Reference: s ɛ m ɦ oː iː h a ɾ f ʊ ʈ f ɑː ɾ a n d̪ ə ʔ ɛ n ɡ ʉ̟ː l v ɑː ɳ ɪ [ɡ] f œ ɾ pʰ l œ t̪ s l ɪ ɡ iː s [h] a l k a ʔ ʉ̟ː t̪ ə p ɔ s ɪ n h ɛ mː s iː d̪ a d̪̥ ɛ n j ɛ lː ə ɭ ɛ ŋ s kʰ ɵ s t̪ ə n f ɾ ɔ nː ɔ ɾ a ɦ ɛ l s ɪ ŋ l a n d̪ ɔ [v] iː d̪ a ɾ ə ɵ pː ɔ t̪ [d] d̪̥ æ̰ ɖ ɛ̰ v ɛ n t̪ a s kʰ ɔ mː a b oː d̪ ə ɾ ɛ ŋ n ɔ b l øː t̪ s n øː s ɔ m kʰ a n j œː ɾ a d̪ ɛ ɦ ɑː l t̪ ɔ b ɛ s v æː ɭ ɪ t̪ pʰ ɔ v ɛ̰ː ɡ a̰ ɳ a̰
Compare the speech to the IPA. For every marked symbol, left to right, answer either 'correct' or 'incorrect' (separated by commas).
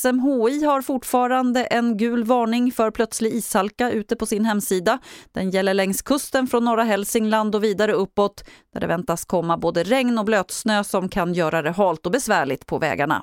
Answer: incorrect, correct, correct, correct